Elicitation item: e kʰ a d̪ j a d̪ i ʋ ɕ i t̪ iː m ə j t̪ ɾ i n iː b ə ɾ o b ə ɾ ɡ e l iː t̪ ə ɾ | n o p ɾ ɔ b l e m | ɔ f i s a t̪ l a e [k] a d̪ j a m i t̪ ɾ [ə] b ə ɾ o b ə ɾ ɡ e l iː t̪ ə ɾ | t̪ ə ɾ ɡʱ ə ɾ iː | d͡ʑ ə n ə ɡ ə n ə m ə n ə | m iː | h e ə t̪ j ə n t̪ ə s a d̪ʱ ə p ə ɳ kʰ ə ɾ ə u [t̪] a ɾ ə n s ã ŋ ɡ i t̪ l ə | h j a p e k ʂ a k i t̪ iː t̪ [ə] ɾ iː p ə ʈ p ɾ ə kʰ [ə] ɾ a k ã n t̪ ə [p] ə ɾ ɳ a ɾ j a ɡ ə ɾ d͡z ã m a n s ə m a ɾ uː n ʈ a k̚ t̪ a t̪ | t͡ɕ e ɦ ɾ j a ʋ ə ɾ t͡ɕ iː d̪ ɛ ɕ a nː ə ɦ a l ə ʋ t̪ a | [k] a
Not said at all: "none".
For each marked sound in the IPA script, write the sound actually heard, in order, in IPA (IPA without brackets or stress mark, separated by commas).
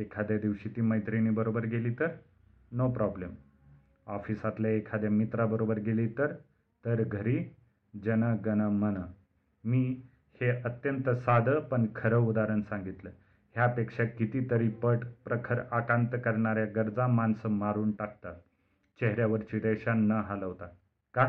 kʰ, a, d̪, ə, ə, k, k